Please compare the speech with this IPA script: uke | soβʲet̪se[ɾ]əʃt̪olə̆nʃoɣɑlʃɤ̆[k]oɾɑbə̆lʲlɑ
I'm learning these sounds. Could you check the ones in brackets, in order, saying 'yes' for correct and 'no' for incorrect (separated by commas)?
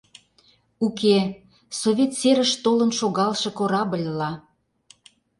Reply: yes, yes